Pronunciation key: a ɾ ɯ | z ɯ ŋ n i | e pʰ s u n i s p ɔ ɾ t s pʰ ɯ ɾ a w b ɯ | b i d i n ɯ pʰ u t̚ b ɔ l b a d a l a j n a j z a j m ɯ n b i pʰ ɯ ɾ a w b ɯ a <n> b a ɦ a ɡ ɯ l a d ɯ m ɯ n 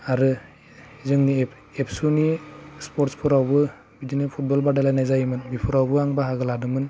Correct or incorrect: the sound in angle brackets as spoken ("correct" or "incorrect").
incorrect